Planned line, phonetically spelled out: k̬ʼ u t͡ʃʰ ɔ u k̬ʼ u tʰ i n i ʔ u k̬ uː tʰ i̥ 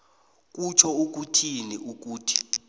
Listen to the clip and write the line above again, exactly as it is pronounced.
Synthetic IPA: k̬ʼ u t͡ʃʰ ɔ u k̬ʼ u tʰ i n i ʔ u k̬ uː tʰ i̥